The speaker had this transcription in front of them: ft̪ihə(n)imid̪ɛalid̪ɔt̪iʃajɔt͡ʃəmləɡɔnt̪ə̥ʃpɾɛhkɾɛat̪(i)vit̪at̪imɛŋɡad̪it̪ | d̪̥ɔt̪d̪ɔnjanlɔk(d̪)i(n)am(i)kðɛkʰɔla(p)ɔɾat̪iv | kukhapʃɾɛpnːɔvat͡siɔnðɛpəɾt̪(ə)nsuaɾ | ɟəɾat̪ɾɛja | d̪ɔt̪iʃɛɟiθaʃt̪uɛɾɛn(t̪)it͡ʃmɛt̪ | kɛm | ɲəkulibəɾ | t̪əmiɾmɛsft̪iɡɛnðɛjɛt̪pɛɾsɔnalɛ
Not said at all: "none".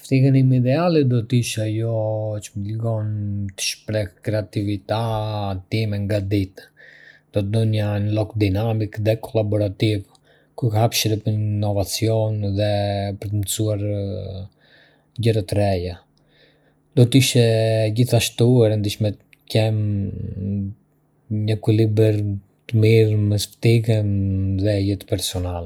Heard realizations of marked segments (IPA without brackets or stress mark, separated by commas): n, i, d̪, n, i, b, ə, d̪